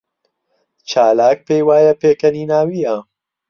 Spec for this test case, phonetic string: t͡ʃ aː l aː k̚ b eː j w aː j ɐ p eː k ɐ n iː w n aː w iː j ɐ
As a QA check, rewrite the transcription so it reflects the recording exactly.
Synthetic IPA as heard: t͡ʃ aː l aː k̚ p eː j w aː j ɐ p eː k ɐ n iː n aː w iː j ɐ